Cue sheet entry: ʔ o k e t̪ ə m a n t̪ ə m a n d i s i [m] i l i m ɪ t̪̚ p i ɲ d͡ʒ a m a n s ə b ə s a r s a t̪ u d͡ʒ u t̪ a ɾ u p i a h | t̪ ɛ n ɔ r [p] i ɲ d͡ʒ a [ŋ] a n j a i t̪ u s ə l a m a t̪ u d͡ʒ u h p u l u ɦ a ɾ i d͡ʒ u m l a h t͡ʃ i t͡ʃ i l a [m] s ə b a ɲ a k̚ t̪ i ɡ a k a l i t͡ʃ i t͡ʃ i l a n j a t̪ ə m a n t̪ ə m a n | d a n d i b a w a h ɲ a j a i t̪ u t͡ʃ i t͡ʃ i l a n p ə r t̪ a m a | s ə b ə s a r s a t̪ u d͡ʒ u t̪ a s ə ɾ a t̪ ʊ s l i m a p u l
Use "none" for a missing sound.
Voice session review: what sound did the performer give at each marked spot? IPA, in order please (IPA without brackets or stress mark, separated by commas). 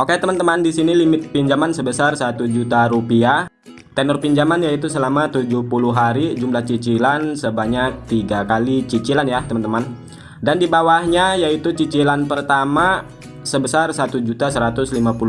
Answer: n, p, m, n